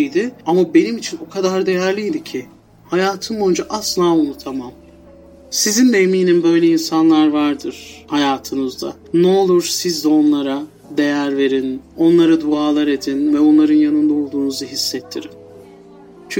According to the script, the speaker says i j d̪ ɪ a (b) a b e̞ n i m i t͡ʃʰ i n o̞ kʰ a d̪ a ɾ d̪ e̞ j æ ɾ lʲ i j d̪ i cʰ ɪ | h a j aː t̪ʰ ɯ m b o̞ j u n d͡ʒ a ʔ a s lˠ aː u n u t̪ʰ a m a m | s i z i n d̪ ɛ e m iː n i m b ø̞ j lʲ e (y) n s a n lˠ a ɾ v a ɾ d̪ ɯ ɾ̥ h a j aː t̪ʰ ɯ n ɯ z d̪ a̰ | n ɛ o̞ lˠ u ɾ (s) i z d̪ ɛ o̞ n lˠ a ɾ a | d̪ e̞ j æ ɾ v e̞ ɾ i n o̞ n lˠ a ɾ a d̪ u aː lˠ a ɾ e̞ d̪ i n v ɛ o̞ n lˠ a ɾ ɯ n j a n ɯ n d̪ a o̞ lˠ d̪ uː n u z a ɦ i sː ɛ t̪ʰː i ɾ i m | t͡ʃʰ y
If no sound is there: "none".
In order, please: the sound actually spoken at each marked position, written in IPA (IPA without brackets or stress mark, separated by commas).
m, i, s